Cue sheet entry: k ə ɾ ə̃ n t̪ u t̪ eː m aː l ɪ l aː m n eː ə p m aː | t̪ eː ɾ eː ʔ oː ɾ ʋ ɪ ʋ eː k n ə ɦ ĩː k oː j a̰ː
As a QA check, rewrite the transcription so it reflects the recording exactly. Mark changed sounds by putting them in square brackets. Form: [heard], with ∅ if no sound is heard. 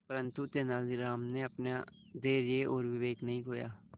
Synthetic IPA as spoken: [p] ə ɾ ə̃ n t̪ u t̪ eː [n] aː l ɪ [ɾ] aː m n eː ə p [n] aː | [d̪] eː ɾ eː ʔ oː ɾ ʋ ɪ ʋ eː k n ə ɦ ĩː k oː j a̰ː